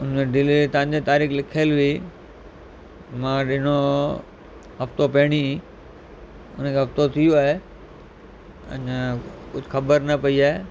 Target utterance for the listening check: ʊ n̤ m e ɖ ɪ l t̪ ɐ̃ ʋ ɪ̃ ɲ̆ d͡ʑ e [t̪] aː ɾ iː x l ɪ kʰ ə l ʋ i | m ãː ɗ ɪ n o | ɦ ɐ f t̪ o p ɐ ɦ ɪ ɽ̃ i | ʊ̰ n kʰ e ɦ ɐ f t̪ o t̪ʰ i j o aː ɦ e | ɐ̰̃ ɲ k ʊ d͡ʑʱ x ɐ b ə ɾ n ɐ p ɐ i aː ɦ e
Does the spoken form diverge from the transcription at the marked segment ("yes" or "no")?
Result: no